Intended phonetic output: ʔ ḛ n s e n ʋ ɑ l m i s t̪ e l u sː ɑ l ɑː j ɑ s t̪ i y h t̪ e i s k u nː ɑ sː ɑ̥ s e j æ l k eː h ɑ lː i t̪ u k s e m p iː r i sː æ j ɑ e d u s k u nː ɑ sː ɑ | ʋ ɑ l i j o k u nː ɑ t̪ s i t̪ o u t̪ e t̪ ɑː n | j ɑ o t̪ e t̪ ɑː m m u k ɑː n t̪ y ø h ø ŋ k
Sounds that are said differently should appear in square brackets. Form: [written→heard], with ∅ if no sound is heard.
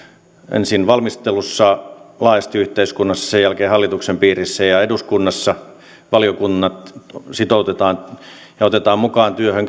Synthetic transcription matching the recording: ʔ ḛ n s [e→i] n ʋ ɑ l m i s t̪ e l u sː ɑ l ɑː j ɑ s t̪ i y h t̪ e i s k u nː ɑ sː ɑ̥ s e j æ l k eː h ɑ lː i t̪ u k s e m p iː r i sː æ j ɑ e d u s k u nː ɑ sː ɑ | ʋ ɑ l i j o k u nː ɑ t̪ s i t̪ o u t̪ e t̪ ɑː n | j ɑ o t̪ e t̪ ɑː m m u k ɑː n t̪ y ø h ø ŋ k